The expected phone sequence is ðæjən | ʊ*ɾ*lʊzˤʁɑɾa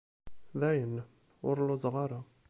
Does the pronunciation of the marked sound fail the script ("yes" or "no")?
no